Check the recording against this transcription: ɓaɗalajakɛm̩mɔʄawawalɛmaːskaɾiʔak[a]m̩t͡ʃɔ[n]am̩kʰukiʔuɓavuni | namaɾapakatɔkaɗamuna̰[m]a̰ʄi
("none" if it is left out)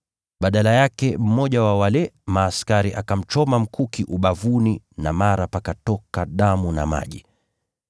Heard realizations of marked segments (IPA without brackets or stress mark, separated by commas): a, m, m